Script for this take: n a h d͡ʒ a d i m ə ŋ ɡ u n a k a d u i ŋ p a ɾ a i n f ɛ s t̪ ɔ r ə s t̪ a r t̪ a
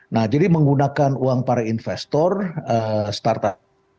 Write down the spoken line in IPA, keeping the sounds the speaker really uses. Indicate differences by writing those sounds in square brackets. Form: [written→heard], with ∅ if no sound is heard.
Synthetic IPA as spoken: n a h d͡ʒ a d i m ə ŋ ɡ u n a k a [d→n] u [i→a] ŋ p a ɾ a i n f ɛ s t̪ ɔ r ə s t̪ a r t̪ a